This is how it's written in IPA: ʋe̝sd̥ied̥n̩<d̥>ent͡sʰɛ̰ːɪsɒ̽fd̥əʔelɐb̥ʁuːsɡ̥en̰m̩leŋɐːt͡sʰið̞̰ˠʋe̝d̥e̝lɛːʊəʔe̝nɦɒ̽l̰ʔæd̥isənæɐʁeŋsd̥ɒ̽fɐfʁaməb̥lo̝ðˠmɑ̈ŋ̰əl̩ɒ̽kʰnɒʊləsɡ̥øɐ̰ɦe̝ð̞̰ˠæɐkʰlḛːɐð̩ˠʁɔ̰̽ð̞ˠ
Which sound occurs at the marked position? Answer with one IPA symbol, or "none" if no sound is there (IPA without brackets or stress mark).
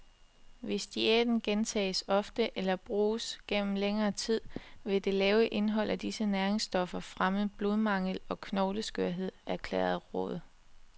ɡ̥